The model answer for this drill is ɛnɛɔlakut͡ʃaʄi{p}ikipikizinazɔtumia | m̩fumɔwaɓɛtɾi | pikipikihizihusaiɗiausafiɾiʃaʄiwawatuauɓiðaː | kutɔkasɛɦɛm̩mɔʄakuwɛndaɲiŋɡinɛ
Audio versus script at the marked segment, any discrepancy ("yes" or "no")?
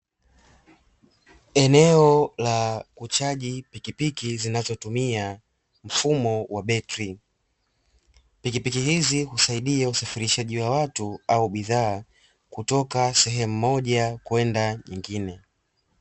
no